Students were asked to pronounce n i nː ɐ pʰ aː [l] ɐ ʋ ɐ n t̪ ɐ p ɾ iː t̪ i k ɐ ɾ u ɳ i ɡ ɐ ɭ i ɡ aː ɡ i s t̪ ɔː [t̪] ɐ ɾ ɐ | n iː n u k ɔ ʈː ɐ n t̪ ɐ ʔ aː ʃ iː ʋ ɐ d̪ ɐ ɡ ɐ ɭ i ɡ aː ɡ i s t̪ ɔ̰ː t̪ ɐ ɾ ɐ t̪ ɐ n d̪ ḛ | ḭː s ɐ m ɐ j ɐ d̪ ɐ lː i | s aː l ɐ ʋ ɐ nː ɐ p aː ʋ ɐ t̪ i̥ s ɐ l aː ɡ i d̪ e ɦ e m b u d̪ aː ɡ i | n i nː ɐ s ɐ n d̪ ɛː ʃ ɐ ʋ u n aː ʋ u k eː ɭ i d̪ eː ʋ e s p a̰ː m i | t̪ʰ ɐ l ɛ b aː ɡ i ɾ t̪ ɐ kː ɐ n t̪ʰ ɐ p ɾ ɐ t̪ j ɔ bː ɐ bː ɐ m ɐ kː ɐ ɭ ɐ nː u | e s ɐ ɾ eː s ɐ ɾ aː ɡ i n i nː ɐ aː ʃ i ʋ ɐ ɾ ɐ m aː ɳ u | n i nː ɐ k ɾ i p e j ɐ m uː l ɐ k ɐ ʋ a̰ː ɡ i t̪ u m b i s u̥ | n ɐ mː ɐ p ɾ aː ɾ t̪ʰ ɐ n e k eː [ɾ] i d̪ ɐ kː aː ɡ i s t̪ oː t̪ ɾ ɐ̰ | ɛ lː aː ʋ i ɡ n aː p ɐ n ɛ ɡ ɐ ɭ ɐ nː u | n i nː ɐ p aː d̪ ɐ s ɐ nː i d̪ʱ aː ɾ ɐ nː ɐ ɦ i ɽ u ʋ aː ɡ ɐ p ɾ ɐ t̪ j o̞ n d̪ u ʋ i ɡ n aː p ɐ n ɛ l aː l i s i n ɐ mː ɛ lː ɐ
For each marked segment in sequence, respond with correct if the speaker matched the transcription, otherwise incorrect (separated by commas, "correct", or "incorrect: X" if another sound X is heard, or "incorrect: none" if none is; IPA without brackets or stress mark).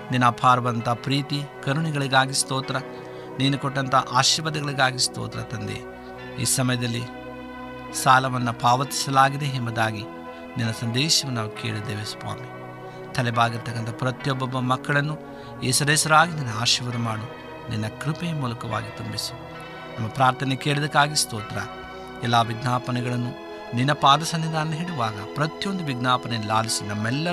incorrect: ɾ, correct, incorrect: ɭ